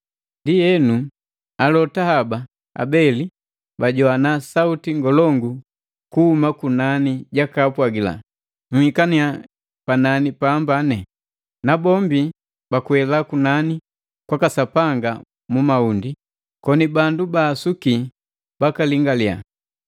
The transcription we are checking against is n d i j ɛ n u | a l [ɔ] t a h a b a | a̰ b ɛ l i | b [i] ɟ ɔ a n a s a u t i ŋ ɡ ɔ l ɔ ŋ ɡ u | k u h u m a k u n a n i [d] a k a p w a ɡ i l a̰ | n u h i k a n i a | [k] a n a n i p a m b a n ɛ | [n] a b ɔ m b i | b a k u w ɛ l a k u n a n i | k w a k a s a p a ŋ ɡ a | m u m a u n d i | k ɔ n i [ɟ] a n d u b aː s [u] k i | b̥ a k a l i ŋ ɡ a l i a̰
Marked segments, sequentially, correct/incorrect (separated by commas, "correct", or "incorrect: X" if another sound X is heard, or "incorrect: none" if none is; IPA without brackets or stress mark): correct, incorrect: a, incorrect: ɟ, incorrect: p, correct, incorrect: b, correct